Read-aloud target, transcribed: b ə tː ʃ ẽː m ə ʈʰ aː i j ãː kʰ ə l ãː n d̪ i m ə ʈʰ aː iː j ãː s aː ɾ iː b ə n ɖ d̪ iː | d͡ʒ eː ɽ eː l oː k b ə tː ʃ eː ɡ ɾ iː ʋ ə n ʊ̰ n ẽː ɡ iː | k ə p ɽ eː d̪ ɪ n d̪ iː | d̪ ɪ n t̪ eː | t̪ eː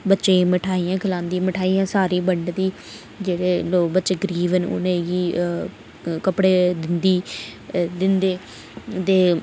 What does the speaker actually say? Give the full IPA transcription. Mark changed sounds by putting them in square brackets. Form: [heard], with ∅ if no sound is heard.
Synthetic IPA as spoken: b ə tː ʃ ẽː m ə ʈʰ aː i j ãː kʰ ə l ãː n d̪ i m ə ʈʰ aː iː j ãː s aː ɾ iː b ə [ɳ] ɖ d̪ iː | d͡ʒ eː ɽ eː l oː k b ə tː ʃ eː ɡ ɾ iː ʋ ə n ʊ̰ n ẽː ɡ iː | k ə p ɽ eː d̪ ɪ n d̪ iː | d̪ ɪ n [d̪] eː | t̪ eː